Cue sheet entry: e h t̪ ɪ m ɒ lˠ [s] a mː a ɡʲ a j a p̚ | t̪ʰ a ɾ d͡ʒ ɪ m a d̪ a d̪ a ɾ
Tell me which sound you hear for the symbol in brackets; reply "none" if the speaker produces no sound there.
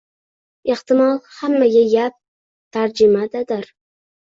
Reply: h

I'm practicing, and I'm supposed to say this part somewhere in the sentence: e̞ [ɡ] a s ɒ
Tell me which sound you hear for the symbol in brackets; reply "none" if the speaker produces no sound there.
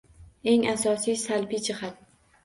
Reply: ŋ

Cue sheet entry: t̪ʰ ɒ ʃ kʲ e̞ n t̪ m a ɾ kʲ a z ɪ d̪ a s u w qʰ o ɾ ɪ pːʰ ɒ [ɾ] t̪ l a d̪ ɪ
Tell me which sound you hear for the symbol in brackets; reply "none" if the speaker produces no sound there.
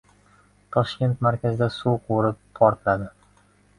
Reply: ɾ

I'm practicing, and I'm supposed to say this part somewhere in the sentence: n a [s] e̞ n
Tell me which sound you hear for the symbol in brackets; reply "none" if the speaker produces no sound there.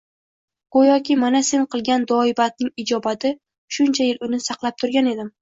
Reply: s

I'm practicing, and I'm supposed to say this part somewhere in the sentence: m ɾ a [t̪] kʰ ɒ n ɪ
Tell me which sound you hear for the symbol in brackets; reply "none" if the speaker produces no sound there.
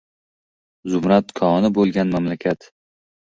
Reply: t̪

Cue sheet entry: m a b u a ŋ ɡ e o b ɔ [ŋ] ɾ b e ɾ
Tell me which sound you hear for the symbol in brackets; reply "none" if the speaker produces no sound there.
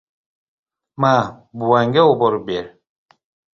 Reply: none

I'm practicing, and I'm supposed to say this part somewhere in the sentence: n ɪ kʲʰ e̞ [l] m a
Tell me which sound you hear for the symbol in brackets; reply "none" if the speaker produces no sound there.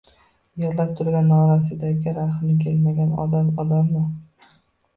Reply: l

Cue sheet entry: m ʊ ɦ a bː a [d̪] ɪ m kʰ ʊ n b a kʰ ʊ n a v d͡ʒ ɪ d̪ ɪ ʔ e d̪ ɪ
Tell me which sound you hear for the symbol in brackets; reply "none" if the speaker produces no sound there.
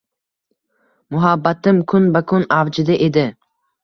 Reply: t̪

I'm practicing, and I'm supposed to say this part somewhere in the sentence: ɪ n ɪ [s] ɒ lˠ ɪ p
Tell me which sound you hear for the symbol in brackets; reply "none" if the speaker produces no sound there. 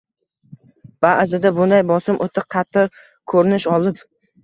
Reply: ʃ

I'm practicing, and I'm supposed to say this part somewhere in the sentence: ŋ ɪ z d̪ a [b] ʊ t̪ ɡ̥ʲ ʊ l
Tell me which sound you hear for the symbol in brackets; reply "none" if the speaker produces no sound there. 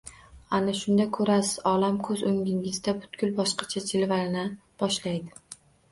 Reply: b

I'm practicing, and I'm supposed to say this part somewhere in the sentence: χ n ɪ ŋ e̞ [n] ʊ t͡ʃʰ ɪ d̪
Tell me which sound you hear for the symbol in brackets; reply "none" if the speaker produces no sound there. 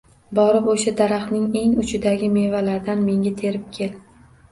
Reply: ŋ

